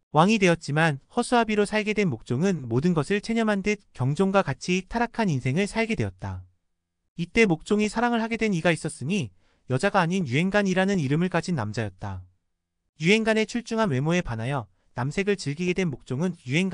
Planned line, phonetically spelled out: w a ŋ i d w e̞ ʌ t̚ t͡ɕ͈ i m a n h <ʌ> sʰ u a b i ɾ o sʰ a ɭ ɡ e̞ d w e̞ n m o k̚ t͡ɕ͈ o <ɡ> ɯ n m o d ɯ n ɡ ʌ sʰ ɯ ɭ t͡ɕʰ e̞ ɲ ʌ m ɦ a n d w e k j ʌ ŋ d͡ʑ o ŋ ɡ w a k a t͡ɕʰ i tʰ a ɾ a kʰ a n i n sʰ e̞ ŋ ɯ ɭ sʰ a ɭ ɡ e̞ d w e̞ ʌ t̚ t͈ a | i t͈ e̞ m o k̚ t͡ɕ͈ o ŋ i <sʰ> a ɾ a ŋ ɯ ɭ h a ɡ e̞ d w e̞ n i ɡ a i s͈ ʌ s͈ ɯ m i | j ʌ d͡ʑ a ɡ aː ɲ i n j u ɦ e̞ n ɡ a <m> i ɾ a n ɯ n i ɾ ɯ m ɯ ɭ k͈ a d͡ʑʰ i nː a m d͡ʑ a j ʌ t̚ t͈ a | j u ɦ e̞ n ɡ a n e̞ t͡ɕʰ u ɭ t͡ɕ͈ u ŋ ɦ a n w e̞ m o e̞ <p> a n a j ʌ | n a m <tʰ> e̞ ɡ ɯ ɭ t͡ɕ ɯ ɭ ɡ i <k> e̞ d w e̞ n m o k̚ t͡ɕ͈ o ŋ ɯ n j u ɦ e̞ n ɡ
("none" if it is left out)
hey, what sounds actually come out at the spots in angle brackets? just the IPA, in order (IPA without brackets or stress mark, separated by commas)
ʌ, ŋ, sʰ, ɲ, p, sʰ, ɡ